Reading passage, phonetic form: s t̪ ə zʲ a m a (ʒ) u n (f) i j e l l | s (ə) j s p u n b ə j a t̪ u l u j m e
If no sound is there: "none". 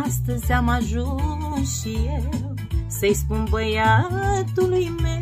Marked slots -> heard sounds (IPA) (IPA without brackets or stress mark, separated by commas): ʒ, ʃ, ə